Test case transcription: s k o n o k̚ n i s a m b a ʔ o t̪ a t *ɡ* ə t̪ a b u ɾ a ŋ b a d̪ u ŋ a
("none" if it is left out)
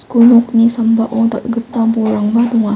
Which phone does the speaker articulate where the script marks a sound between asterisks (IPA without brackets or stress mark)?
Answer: ɡ